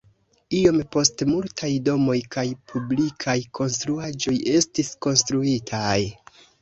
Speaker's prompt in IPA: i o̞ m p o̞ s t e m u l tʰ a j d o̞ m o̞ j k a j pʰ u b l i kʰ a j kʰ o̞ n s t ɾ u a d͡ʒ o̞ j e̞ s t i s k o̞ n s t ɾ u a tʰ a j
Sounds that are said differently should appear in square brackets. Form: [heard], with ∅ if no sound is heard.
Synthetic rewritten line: i o̞ m p o̞ s t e m u l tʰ a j d o̞ m o̞ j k a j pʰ u b l i kʰ a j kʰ o̞ n s t ɾ u a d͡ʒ o̞ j e̞ s t i s k o̞ n s t ɾ u [i] tʰ a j